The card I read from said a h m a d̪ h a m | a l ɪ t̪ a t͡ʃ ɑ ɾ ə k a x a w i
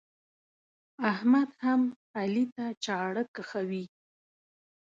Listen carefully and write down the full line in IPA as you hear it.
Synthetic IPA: a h m a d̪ h a m | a l i t̪ a t͡ʃ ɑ ɽ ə k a x a w i